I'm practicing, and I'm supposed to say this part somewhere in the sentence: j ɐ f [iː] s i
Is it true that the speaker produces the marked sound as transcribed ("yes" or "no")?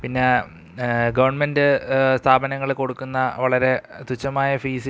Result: yes